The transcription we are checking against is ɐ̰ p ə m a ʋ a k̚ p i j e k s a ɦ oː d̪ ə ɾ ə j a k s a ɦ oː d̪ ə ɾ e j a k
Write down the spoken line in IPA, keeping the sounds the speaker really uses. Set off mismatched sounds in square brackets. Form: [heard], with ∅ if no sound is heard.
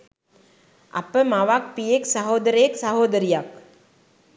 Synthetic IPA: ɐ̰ p ə m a ʋ a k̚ p i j e k s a ɦ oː d̪ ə ɾ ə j [e] k s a ɦ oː d̪ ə ɾ [i] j a k